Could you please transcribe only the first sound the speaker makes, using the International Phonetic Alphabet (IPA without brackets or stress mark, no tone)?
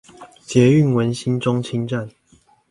t͡ɕ